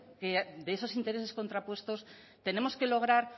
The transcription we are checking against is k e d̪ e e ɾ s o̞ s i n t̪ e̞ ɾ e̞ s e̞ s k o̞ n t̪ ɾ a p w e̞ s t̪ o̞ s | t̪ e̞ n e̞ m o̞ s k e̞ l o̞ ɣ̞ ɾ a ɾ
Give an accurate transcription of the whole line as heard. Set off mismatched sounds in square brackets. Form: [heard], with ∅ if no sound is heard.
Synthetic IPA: k e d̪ e e [∅] s o̞ s i n t̪ e̞ ɾ e̞ s e̞ s k o̞ n t̪ ɾ a p w e̞ s t̪ o̞ s | t̪ e̞ n e̞ m o̞ s k e̞ l o̞ ɣ̞ ɾ a ɾ